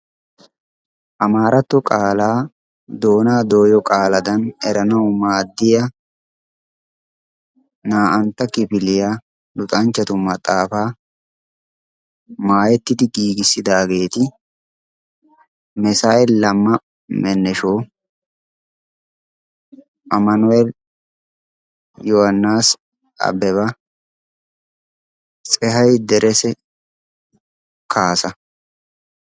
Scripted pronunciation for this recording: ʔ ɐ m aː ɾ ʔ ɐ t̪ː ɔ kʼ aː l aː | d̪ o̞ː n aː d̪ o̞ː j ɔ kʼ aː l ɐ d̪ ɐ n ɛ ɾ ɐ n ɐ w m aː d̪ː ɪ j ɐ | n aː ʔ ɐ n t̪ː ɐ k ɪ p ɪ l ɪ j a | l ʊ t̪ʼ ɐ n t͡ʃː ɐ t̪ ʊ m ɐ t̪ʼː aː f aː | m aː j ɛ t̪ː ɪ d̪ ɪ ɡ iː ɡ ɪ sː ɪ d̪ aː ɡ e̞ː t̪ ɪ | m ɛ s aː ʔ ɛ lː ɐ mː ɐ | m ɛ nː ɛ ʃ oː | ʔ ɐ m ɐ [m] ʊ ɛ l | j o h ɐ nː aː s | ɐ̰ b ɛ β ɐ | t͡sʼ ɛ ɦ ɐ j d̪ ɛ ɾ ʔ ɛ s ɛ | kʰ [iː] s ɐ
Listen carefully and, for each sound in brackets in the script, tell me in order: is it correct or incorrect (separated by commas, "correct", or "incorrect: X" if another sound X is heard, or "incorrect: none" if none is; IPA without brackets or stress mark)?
incorrect: n, incorrect: aː